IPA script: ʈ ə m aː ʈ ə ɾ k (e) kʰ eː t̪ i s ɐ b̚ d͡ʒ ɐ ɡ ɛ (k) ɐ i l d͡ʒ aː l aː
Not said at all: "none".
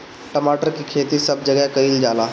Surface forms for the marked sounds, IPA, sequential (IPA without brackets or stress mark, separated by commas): i, k